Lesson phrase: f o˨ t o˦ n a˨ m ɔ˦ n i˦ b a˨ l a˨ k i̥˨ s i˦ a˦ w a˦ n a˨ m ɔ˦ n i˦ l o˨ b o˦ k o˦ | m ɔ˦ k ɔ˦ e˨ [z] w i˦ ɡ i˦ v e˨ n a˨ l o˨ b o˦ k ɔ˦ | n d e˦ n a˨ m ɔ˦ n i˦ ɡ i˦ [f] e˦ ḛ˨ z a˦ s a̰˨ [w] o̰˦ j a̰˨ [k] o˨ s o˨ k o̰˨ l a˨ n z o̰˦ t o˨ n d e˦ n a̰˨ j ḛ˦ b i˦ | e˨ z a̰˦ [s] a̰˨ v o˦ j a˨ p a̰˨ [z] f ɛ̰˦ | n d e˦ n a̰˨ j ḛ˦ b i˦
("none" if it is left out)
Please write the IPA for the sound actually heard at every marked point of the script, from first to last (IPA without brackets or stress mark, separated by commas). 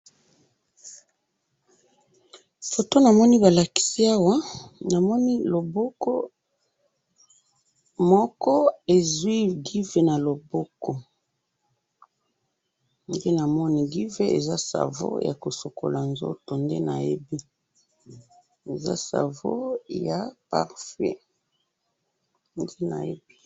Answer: z, v, v, k, s, ʁ